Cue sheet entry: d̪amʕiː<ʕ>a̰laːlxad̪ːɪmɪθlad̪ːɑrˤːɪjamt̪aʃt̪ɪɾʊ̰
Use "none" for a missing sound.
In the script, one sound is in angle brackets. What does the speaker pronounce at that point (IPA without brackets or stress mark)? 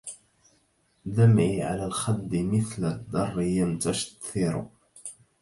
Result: ʕ